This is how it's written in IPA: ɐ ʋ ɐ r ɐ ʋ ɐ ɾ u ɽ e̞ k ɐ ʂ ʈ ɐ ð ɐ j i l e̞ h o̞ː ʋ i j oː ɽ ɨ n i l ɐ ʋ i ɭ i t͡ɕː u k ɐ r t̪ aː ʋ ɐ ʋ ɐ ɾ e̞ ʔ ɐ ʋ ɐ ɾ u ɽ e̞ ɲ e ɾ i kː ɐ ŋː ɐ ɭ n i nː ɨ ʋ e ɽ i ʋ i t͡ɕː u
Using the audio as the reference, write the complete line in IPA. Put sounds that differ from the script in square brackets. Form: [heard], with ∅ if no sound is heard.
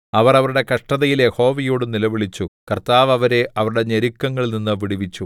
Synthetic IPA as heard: ɐ ʋ ɐ r ɐ ʋ ɐ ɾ u ɽ e̞ k ɐ ʂ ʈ ɐ ð ɐ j i l e̞ h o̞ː ʋ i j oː ɽ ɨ n i l ɐ ʋ i ɭ i t͡ɕː u k ɐ r t̪ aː ʋ ɐ ʋ ɐ ɾ e̞ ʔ ɐ ʋ ɐ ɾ u ɽ e̞ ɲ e ɾ i kː ɐ ŋː ɐ ɭ n i nː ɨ ʋ [i] ɽ i ʋ i t͡ɕː u